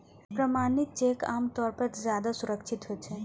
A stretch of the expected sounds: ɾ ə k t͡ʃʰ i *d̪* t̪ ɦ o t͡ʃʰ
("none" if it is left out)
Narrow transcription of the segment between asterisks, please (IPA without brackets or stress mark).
none